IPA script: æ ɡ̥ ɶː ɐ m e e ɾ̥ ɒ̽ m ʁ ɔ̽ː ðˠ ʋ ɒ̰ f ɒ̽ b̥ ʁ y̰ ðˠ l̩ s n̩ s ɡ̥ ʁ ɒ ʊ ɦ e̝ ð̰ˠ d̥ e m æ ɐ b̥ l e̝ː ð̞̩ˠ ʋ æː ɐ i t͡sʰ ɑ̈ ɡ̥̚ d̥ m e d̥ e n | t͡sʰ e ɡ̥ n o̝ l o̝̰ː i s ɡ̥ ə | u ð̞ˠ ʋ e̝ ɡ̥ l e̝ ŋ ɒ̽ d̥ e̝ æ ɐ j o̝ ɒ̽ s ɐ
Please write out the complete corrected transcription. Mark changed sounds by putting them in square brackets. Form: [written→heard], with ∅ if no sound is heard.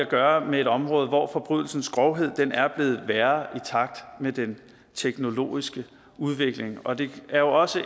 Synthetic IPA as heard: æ ɡ̥ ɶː ɐ m e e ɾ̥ ɒ̽ m ʁ ɔ̽ː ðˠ ʋ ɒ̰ f ɒ̽ b̥ ʁ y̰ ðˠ l̩ s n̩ s ɡ̥ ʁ ɒ ʊ ɦ e̝ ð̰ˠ d̥ e [m→n] æ ɐ b̥ l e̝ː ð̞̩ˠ ʋ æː ɐ i t͡sʰ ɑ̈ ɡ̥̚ d̥ m e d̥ e n | t͡sʰ e ɡ̥ n o̝ l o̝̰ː i s ɡ̥ ə | u ð̞ˠ ʋ e̝ ɡ̥ l e̝ ŋ ɒ̽ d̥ e̝ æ ɐ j o̝ ɒ̽ s [ɐ→ə]